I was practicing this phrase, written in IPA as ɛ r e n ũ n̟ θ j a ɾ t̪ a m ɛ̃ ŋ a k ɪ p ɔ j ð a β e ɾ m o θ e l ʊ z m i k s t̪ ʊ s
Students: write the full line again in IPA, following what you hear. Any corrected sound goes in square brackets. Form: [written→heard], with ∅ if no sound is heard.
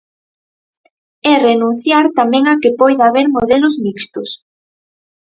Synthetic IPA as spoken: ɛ r e n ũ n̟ θ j a ɾ t̪ a m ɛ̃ ŋ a k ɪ p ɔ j ð a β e ɾ m o [θ→ð] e l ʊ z m i k s t̪ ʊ s